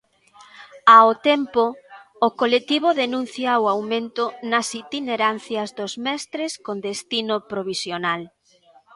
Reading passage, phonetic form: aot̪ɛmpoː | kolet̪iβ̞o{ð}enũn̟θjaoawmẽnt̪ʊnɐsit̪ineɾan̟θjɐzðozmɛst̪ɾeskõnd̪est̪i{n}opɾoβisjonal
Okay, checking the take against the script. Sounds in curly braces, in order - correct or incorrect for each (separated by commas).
correct, correct